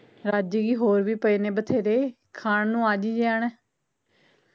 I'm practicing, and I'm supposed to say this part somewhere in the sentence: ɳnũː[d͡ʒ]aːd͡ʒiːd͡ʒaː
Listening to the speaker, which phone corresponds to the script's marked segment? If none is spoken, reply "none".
none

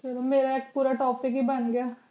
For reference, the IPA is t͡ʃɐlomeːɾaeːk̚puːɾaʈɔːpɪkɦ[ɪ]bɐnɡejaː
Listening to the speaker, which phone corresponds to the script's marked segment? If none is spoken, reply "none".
i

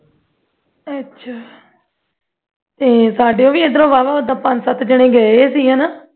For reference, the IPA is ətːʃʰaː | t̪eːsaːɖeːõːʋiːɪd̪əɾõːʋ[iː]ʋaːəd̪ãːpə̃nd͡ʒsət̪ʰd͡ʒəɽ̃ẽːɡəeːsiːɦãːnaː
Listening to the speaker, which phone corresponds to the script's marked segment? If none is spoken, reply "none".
aː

